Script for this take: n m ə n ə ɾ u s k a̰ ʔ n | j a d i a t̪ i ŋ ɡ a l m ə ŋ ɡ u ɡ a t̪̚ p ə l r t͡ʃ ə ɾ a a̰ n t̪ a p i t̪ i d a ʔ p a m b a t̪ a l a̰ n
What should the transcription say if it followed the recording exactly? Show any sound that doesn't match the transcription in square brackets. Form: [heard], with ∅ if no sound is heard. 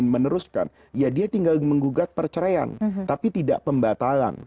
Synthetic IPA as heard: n m ə n ə ɾ u s k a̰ [∅] n | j a d i a t̪ i ŋ ɡ a l m ə ŋ ɡ u ɡ a t̪̚ p ə [∅] r t͡ʃ ə ɾ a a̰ n t̪ a p i t̪ i d a ʔ p [ə] m b a t̪ a l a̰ n